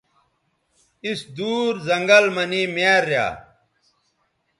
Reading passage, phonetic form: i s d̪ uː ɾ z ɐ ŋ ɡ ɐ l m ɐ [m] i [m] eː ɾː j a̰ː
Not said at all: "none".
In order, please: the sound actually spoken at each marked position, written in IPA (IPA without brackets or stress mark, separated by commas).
n, m